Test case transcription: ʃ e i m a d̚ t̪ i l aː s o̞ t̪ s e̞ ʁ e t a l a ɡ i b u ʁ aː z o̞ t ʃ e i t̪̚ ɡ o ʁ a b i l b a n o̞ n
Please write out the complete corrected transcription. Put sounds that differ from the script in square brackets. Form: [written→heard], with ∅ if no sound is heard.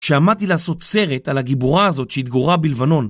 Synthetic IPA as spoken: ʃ e [i→a] m a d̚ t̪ i l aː s o̞ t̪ s e̞ ʁ e t a l a ɡ i b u ʁ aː z o̞ t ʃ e i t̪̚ ɡ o ʁ a b i l [b→v] a n o̞ n